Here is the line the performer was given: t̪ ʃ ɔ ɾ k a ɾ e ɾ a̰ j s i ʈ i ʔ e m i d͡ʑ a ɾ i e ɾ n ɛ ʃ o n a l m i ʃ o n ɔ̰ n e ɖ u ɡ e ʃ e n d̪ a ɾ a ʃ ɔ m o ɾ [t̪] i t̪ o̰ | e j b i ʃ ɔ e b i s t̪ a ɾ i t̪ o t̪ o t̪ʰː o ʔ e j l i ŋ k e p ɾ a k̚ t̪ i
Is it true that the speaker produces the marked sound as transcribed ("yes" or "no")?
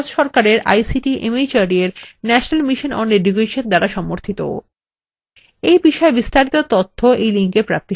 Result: no